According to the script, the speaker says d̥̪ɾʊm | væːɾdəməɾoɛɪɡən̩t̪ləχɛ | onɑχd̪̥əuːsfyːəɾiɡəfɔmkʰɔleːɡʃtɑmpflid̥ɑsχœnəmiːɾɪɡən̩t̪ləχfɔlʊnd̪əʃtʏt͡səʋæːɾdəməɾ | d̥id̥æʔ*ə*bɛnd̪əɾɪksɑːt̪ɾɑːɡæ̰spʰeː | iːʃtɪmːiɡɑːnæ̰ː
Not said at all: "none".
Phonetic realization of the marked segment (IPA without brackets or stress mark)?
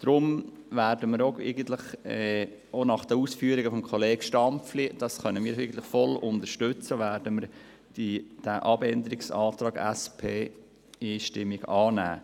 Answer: ɑ